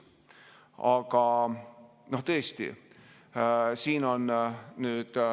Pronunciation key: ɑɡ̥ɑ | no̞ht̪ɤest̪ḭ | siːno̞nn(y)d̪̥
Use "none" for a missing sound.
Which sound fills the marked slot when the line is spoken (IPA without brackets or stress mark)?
yː